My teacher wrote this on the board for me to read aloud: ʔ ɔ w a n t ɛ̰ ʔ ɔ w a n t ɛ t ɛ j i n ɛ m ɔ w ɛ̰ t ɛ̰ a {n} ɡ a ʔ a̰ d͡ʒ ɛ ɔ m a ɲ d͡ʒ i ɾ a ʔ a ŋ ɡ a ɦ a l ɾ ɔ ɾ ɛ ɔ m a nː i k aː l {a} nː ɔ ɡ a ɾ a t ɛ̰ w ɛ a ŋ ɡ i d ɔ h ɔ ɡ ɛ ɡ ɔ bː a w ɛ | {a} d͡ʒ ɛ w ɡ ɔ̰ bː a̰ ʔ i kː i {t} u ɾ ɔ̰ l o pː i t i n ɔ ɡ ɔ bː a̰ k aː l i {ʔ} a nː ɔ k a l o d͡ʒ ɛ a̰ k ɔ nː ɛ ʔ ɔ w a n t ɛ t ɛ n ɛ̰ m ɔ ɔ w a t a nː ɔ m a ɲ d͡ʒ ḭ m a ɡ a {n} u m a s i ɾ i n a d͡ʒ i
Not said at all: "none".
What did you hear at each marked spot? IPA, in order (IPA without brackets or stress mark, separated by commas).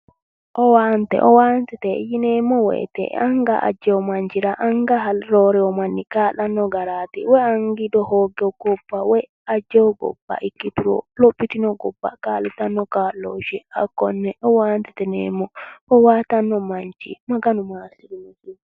ŋ, a, a, t, t, n